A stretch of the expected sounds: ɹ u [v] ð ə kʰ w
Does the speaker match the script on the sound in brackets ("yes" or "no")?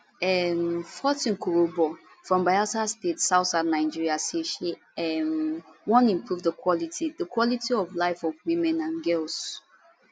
yes